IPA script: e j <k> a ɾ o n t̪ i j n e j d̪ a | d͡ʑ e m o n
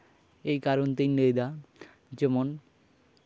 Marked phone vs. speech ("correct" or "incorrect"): correct